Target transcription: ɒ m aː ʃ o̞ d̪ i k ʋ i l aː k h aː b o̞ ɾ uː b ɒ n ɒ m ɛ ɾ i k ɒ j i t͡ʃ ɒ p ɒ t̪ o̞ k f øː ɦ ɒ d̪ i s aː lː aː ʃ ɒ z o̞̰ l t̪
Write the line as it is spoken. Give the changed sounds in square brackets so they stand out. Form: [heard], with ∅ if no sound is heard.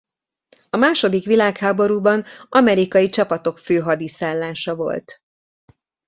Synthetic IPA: ɒ m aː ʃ o̞ d̪ i k ʋ i l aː k h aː b o̞ ɾ uː b ɒ n ɒ m ɛ ɾ i k ɒ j i t͡ʃ ɒ p ɒ t̪ o̞ k f øː ɦ ɒ d̪ i s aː lː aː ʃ ɒ [v] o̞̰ l t̪